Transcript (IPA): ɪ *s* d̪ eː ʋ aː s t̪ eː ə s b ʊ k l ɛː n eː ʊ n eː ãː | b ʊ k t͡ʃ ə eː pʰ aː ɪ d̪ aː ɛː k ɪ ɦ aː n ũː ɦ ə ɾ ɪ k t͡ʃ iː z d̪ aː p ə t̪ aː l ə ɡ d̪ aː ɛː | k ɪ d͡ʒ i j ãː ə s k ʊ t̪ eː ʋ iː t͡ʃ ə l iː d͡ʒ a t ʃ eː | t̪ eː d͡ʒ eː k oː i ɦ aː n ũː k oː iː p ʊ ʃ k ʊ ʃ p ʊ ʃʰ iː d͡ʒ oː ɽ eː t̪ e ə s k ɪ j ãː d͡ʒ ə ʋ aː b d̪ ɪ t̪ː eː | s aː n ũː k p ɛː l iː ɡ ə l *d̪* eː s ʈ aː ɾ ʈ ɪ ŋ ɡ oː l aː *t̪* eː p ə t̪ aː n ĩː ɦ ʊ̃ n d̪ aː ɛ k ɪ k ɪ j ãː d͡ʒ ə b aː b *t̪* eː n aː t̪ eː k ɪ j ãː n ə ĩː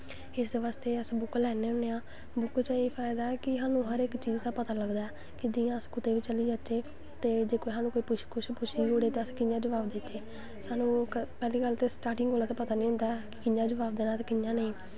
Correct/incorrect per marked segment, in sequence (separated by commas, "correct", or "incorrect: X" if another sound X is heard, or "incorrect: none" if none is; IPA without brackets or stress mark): correct, incorrect: t̪, correct, incorrect: d̪